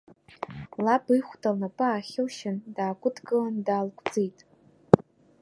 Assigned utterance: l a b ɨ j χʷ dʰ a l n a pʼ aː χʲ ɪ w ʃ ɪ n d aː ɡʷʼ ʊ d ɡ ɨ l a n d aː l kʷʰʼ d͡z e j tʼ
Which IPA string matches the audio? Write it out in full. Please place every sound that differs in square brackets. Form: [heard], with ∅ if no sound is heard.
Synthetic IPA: l a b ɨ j χʷ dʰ a l n a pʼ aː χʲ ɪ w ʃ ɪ n d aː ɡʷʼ ʊ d ɡ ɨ l a n d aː l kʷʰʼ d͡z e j tʼ